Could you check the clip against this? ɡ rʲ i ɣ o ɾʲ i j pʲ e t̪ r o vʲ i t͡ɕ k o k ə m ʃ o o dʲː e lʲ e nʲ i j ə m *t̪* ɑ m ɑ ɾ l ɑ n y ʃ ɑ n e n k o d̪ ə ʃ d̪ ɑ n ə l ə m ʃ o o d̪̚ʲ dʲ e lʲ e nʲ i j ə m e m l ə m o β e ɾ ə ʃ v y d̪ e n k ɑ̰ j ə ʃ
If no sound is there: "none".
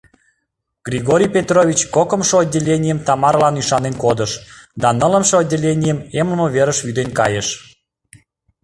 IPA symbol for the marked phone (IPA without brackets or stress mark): t̪